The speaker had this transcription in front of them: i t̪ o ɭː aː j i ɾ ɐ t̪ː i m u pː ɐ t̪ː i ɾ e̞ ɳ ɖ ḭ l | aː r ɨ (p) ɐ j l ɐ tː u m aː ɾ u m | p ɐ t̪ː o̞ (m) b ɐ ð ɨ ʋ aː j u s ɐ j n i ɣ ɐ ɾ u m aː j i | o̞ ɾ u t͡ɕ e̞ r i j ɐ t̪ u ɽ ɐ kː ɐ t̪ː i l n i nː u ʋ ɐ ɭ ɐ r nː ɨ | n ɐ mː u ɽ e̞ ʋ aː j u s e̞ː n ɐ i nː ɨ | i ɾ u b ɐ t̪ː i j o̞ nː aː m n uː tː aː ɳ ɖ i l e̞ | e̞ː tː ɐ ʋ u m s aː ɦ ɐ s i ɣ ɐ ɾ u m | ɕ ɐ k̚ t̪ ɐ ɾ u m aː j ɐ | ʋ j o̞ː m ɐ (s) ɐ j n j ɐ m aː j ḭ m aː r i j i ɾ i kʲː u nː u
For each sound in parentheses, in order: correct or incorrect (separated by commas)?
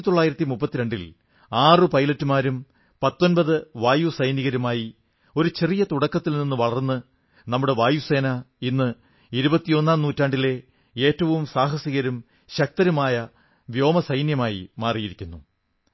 correct, incorrect, correct